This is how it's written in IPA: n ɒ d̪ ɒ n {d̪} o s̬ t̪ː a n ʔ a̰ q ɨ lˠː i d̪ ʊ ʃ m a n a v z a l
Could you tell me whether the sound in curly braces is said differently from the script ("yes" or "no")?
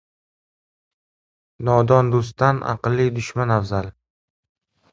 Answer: no